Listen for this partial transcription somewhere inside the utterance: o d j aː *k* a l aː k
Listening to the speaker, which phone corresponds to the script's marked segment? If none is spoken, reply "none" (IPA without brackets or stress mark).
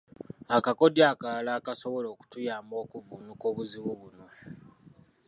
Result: k